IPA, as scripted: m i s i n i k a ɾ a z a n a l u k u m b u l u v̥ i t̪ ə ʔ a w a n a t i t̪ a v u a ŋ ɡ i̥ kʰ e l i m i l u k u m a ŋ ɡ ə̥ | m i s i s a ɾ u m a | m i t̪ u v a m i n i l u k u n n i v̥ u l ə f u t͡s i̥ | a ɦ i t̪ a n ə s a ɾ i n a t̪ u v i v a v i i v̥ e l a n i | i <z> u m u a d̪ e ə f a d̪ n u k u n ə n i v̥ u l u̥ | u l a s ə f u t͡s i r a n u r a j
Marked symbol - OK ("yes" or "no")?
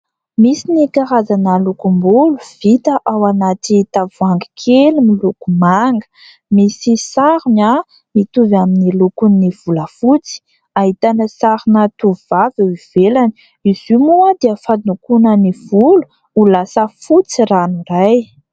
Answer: yes